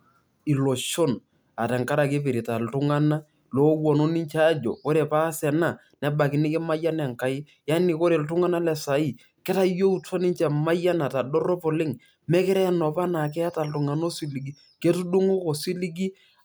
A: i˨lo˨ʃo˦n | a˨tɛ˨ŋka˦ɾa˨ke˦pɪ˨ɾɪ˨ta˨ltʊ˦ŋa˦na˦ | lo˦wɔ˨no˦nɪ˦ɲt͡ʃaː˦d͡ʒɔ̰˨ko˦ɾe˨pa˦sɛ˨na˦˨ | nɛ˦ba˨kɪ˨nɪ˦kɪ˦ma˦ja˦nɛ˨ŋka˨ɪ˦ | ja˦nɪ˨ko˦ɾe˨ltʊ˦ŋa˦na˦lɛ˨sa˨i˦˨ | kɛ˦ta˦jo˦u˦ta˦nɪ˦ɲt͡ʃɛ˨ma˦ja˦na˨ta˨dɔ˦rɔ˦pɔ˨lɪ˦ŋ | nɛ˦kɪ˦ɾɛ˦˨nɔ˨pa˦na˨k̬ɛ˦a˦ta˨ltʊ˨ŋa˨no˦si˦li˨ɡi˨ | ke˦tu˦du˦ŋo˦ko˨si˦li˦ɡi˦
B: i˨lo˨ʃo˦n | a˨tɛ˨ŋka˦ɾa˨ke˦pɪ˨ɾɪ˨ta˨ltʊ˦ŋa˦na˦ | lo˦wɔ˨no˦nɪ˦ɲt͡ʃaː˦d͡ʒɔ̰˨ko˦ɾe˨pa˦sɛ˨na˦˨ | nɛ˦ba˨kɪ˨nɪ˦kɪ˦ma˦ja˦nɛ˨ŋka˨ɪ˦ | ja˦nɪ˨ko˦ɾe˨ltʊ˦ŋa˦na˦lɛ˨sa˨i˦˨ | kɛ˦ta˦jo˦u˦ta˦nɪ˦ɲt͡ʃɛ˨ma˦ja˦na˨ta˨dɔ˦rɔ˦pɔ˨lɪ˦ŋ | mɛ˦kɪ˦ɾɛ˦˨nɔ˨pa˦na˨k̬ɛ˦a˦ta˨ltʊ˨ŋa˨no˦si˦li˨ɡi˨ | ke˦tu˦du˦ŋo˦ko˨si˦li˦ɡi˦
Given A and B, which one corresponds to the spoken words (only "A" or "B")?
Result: B